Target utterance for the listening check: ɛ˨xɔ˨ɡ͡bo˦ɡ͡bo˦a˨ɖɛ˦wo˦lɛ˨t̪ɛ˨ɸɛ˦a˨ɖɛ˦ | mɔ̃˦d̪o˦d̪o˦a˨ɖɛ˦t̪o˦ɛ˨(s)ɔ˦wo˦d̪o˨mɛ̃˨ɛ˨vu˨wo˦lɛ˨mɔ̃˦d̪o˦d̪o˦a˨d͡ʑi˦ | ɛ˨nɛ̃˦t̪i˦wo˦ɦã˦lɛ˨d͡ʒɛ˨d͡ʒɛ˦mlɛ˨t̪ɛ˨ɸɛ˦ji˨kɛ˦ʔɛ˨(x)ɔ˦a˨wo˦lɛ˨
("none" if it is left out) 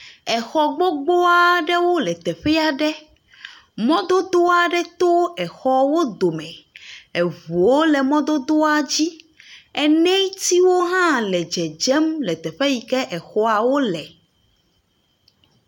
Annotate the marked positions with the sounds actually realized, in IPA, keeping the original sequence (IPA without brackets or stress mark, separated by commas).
x, x